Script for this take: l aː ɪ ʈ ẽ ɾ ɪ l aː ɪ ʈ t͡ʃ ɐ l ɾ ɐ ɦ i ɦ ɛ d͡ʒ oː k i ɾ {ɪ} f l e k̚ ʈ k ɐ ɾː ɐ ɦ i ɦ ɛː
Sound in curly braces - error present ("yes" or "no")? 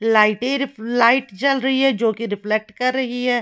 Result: no